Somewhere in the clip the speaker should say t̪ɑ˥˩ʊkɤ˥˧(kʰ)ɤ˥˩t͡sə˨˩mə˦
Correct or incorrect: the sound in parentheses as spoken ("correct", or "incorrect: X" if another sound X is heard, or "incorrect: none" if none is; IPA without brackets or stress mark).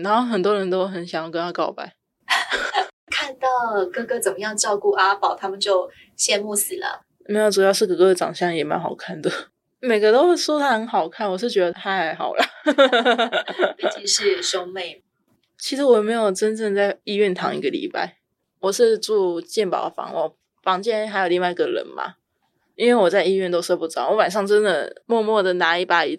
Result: incorrect: k